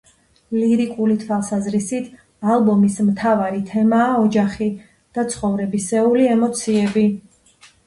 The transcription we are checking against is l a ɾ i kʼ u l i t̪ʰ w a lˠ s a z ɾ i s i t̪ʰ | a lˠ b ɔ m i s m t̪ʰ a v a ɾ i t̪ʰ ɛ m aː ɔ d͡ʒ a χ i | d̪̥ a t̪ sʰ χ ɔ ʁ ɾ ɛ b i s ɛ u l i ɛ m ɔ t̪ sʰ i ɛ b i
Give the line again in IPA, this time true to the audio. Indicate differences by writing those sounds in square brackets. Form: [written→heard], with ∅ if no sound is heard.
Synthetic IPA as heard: l [a→i] ɾ i kʼ u l i t̪ʰ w a lˠ s a z ɾ i s i t̪ʰ | a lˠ b ɔ m i s m t̪ʰ a v a ɾ i t̪ʰ ɛ m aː ɔ d͡ʒ a χ i | d̪̥ a t̪ sʰ χ ɔ [ʁ→v] ɾ ɛ b i s ɛ u l i ɛ m ɔ t̪ sʰ i ɛ b i

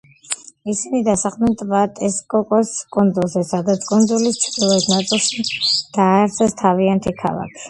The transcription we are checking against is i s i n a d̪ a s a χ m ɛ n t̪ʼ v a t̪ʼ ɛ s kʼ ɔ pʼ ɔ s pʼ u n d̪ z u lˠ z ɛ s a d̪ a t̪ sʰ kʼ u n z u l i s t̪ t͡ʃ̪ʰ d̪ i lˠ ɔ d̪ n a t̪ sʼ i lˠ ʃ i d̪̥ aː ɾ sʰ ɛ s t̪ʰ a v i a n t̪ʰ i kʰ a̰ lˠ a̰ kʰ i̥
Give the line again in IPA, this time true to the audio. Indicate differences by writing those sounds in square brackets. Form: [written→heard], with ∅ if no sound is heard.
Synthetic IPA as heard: i s i n [a→i] d̪ a s a χ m ɛ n t̪ʼ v a t̪ʼ ɛ s kʼ ɔ [pʼ→kʼ] ɔ s [pʼ→kʼ] u n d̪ z u lˠ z ɛ s a d̪ a t̪ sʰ kʼ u n z u l i s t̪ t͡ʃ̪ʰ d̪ i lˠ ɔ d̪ n a t̪ sʼ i lˠ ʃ i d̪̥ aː ɾ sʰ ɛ s t̪ʰ a v i a n t̪ʰ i kʰ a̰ lˠ a̰ kʰ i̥

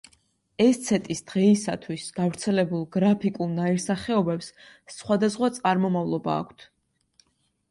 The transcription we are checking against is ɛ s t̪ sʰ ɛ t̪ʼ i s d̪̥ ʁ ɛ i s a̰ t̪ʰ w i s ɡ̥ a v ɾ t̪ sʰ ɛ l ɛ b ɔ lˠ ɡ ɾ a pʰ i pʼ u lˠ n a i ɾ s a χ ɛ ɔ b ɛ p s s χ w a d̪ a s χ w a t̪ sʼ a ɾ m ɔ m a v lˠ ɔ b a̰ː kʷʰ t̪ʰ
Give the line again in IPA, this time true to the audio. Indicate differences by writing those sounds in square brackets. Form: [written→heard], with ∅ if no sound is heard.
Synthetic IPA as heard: ɛ s t̪ sʰ ɛ t̪ʼ i s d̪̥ ʁ ɛ i s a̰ t̪ʰ w i s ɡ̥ a v ɾ t̪ sʰ ɛ l ɛ b [ɔ→u] lˠ ɡ ɾ a pʰ i [pʼ→kʼ] u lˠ n a i ɾ s a χ ɛ ɔ b ɛ p s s χ w a d̪ a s χ w a t̪ sʼ a ɾ m ɔ m a v lˠ ɔ b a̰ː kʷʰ t̪ʰ

